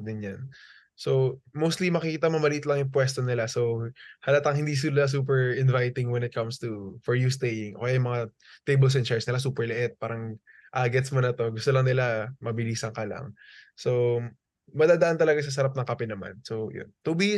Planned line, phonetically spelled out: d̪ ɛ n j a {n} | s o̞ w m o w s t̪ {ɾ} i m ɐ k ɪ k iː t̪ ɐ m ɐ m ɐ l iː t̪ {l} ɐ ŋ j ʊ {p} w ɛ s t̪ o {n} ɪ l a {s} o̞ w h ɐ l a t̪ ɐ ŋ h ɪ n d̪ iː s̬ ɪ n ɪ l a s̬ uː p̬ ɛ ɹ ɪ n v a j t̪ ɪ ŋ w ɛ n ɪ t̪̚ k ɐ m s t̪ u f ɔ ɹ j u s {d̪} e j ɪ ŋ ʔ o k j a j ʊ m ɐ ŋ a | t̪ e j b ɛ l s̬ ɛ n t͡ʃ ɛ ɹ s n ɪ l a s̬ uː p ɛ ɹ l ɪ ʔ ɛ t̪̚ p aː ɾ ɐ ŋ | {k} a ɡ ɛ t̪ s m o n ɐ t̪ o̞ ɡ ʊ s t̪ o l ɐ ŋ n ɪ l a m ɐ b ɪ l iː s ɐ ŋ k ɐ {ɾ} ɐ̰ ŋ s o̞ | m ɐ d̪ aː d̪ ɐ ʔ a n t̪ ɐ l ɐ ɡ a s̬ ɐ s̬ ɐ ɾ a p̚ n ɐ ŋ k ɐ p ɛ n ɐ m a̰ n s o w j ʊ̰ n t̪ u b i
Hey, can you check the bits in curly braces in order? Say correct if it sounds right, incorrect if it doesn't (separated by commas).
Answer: correct, incorrect, correct, correct, correct, correct, incorrect, incorrect, incorrect